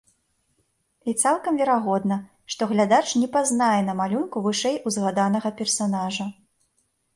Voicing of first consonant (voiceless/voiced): voiceless